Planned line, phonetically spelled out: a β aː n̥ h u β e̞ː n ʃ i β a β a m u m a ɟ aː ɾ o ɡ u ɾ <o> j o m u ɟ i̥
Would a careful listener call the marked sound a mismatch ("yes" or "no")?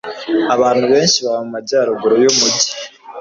no